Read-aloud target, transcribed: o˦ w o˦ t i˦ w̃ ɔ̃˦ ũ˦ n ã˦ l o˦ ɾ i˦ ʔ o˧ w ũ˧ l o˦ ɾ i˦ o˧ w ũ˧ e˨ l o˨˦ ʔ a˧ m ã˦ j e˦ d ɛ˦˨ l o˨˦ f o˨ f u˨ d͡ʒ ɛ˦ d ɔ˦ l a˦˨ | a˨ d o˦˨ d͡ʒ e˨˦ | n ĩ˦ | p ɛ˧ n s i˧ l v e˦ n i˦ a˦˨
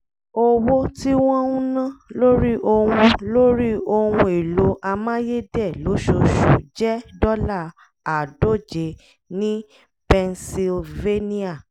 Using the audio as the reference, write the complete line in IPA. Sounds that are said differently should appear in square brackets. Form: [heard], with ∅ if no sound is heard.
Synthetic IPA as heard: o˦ w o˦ t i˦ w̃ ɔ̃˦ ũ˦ n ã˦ l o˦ ɾ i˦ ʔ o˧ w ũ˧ l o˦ ɾ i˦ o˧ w ũ˧ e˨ l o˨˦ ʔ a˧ m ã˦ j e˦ d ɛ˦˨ l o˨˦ [ʃ] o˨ [ʃ] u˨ d͡ʒ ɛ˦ d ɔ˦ l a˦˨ | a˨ d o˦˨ d͡ʒ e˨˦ | n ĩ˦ | p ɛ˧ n s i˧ l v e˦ n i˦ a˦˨